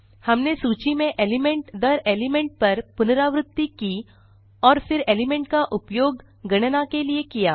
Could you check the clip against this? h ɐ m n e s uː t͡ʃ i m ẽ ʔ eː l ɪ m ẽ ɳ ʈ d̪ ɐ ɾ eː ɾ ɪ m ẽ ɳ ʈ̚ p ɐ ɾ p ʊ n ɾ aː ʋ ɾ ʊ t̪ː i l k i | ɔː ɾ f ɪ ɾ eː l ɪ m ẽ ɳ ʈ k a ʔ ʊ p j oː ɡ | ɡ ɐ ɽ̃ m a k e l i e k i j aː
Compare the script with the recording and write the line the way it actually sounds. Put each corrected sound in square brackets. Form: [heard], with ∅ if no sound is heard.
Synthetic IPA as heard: h ɐ m n e s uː t͡ʃ i m ẽ ʔ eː l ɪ m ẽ ɳ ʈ d̪ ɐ ɾ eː [l] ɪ m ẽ ɳ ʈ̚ p ɐ ɾ p ʊ n ɾ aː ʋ ɾ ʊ t̪ː i [∅] k i | ɔː ɾ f ɪ ɾ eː l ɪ m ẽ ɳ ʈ k a ʔ ʊ p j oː ɡ | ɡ ɐ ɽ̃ [n] a k e l i e k i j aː